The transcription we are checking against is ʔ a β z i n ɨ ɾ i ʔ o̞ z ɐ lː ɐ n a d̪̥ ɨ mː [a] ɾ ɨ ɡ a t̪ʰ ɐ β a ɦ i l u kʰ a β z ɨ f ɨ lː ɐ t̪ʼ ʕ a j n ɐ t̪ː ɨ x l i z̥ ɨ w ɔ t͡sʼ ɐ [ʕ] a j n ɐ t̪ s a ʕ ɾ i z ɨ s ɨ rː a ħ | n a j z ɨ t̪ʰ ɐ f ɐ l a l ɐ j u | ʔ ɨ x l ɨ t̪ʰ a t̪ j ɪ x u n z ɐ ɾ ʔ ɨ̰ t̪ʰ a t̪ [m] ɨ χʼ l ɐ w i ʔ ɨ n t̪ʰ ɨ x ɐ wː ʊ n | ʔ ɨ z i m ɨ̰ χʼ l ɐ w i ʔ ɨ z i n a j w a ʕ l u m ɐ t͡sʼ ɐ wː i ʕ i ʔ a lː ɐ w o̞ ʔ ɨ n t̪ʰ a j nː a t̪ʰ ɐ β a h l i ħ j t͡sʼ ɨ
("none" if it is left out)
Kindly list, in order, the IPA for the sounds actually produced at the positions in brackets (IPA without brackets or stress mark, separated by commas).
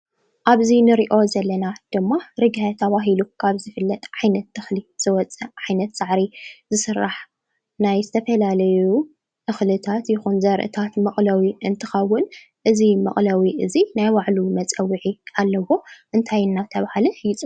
a, ʕ, m